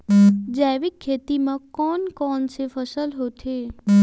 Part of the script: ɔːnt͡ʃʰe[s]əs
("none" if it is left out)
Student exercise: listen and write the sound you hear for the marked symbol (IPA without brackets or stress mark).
f